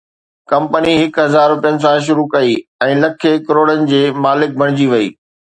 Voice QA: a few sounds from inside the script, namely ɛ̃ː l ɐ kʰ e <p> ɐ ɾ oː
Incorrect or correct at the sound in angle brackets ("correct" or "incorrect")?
incorrect